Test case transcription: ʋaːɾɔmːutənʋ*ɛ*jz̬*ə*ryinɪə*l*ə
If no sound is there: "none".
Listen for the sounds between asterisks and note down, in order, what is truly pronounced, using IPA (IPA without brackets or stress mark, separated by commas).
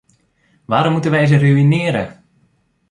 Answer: ɛ, ə, ɾ